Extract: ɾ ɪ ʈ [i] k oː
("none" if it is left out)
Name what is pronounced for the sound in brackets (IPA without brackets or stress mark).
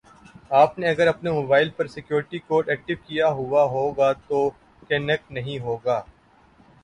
i